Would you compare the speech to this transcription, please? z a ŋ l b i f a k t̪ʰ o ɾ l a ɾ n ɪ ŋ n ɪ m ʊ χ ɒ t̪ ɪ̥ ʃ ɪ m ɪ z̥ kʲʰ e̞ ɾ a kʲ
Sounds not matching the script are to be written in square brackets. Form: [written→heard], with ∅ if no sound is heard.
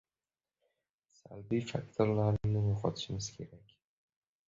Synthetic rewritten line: [z→s] a [ŋ→∅] l b i f a k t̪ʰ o ɾ l a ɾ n ɪ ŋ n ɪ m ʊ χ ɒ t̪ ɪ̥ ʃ ɪ m ɪ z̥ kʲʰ e̞ ɾ a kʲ